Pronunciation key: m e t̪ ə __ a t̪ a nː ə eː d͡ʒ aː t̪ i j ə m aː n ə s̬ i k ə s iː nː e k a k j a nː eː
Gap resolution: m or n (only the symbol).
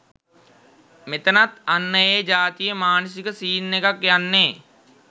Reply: n